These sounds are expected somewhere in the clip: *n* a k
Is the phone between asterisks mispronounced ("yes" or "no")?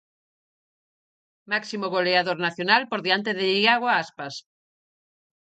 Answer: yes